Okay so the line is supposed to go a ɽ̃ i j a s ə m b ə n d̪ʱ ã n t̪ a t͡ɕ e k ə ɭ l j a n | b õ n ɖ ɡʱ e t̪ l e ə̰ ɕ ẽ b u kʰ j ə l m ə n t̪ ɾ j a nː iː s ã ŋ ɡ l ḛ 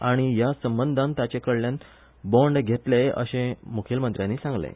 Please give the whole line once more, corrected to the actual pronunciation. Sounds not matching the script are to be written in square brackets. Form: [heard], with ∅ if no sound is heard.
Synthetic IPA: a ɽ̃ i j a s ə m b ə n d̪ʱ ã n t̪ a t͡ɕ e k ə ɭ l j a n | b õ [ɳ] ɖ ɡʱ e t̪ l e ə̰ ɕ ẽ [m] u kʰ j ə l m ə n t̪ ɾ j a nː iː s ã ŋ ɡ l ḛ

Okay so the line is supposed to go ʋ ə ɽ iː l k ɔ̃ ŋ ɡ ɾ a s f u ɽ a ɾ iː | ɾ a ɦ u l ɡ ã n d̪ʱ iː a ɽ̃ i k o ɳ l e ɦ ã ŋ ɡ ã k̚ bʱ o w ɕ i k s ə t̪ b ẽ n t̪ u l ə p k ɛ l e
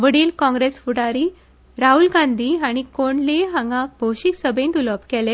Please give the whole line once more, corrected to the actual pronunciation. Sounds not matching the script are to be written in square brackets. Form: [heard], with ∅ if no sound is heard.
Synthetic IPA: ʋ ə ɽ iː l k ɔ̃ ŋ ɡ ɾ [e] s f u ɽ a ɾ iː | ɾ a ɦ u l ɡ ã n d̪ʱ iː a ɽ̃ i k o ɳ l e ɦ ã ŋ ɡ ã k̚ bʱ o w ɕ i k s ə [∅] b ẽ n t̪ u l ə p k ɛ l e

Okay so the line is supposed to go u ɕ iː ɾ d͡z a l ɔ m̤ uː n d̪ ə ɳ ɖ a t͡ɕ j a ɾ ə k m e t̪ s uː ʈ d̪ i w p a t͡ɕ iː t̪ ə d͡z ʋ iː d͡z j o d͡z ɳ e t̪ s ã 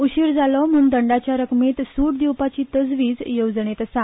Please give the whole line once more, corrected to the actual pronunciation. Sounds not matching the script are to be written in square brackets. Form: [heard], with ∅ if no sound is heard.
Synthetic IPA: u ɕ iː ɾ d͡z a l ɔ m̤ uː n d̪ ə ɳ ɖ a t͡ɕ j a ɾ ə k m e t̪ s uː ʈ d̪ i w p a t͡ɕ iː t̪ ə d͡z ʋ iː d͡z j o d͡z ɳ e t̪ s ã

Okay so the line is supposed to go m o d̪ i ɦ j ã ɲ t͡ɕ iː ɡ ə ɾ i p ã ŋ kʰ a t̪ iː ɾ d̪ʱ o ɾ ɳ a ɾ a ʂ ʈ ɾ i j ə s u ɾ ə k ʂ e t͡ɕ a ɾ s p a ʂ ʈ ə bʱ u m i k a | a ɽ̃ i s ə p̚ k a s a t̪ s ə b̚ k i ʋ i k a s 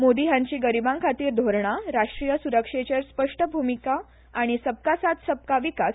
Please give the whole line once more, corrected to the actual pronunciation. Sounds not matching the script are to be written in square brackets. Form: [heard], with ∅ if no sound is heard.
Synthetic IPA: m o d̪ i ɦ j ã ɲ t͡ɕ iː ɡ ə ɾ i [b] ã ŋ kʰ a t̪ iː ɾ d̪ʱ o ɾ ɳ a ɾ a ʂ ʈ ɾ i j ə s u ɾ ə k ʂ e t͡ɕ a ɾ s p [ə] ʂ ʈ ə bʱ u m i k a | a ɽ̃ i s ə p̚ k a s a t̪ s ə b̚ k [a] ʋ i k a s

